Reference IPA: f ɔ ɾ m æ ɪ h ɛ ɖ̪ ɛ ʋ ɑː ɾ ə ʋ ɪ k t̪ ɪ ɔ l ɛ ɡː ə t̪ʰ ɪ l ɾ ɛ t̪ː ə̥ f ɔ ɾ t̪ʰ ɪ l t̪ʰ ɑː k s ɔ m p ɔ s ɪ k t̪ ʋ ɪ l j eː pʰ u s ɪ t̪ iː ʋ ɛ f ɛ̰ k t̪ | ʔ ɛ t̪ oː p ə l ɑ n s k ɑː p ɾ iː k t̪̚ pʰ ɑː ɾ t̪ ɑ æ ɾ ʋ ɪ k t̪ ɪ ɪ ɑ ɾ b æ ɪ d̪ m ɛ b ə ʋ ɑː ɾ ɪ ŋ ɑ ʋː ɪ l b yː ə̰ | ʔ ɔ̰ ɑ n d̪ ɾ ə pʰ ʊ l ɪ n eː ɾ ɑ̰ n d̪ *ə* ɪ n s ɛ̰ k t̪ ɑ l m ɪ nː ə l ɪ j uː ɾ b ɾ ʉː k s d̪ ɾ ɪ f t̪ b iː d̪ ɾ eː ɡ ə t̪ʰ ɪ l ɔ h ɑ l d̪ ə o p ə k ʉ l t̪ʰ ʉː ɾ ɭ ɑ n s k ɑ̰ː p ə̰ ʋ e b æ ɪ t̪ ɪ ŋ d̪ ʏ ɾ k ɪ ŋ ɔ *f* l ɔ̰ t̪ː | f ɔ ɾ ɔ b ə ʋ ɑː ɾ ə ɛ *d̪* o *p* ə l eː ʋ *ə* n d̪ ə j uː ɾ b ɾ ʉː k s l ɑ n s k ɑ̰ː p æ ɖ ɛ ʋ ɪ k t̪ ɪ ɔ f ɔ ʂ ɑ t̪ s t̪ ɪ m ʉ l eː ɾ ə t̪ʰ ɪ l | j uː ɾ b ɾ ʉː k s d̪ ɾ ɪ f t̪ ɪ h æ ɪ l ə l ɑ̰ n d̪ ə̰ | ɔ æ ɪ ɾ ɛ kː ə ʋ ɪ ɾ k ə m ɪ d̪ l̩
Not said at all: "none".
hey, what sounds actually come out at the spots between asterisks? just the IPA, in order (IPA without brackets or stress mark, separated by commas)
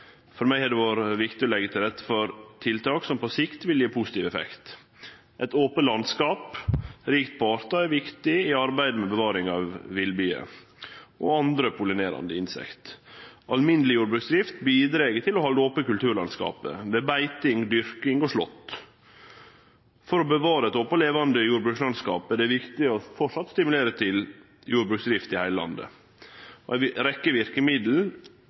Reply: ə, ʂ, t̪, p, ɑ